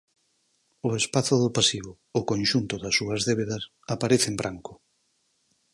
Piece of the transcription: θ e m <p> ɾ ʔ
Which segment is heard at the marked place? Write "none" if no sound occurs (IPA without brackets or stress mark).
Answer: b